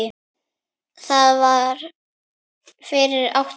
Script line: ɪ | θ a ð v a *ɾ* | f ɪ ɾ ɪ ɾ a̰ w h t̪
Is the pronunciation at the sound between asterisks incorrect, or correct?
correct